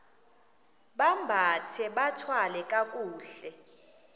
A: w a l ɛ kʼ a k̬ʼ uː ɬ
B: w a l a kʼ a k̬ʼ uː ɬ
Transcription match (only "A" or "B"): A